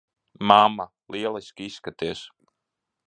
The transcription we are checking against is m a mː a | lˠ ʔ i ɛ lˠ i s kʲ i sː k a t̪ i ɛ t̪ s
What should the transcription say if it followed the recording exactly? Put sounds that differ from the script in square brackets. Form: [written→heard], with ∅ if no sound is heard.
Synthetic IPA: m a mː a | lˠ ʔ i ɛ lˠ i s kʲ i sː k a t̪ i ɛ [t̪→∅] s